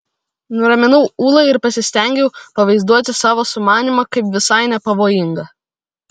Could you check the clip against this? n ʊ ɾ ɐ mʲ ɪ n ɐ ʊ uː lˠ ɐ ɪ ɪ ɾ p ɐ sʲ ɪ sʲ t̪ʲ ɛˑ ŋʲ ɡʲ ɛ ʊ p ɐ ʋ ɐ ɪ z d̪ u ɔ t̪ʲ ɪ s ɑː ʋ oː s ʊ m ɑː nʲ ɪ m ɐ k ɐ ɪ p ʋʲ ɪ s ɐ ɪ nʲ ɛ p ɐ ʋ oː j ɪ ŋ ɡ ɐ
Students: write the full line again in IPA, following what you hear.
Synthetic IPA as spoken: n ʊ ɾ ɐ mʲ ɪ n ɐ ʊ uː lˠ ɐ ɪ ɪ ɾ p ɐ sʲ ɪ sʲ t̪ʲ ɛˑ ŋʲ ɡʲ ɛ ʊ p ɐ ʋ ɐ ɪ z d̪ u ɔ t̪ʲ ɪ s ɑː ʋ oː s ʊ m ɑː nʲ i m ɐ k ɐ ɪ p ʋʲ ɪ s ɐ ɪ nʲ ɛ p ɐ ʋ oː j ɪ ŋ ɡ ɐ